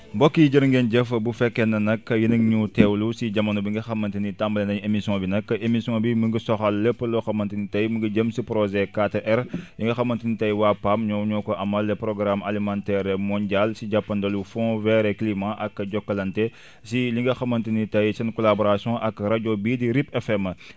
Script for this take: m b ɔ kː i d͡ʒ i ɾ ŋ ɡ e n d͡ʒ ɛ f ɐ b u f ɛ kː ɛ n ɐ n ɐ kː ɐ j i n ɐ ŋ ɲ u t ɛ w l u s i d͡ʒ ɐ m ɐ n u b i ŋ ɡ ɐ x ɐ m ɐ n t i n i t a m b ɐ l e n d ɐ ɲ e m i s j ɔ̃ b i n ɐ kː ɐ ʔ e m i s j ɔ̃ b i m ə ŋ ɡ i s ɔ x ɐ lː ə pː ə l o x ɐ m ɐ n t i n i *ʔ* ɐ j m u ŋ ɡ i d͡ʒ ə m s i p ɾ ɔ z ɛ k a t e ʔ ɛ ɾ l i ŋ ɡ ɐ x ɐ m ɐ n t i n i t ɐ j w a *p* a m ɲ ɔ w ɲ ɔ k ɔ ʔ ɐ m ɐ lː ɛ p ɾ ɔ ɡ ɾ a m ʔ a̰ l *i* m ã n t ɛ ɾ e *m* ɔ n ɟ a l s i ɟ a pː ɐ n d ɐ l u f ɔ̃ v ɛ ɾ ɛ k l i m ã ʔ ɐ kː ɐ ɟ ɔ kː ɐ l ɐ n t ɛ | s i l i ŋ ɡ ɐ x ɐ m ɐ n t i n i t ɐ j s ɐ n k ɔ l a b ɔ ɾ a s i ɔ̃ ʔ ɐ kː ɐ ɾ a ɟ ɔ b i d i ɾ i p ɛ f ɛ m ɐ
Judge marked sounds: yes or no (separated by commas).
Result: no, yes, yes, yes